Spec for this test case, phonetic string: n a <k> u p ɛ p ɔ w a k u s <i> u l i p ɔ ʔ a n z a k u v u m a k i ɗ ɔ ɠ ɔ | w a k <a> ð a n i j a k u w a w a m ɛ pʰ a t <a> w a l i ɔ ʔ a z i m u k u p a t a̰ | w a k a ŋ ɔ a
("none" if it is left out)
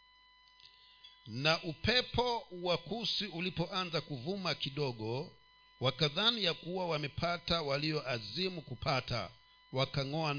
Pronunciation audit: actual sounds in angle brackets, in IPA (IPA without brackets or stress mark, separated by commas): ʔ, i, a, a